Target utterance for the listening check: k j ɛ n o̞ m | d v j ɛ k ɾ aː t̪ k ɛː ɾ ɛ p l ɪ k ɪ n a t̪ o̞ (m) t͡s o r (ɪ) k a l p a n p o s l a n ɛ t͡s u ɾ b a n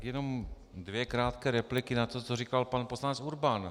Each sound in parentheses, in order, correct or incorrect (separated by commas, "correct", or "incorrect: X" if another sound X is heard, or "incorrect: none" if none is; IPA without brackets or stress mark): incorrect: none, incorrect: i